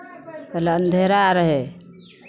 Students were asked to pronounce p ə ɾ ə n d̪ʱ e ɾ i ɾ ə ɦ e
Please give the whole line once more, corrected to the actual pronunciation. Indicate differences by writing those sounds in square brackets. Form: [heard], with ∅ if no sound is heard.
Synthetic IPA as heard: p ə [l] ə n d̪ʱ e ɾ [a] ɾ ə ɦ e